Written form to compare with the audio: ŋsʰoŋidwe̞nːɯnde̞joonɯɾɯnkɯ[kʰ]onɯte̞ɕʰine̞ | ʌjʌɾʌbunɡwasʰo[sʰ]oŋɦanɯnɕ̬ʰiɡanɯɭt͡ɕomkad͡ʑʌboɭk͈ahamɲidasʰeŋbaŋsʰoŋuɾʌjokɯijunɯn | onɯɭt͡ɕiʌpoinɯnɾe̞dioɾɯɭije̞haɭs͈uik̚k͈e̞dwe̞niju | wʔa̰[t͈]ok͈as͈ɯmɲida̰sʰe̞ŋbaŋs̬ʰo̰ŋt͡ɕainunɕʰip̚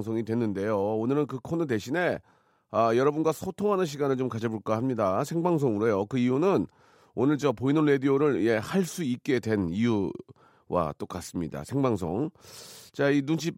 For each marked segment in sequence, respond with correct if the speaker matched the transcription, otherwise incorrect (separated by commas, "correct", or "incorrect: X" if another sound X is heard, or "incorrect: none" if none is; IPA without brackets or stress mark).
correct, incorrect: tʰ, correct